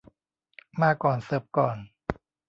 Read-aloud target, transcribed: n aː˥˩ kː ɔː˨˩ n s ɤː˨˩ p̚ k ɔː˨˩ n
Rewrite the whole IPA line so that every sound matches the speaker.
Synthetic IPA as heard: m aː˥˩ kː ɔː˨˩ n s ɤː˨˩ p̚ k ɔː˨˩ n